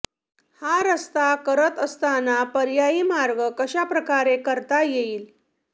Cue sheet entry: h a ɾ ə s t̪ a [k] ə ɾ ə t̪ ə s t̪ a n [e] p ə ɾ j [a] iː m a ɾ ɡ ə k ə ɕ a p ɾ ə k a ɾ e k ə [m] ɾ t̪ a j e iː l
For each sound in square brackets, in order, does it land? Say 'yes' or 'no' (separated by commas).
yes, no, yes, no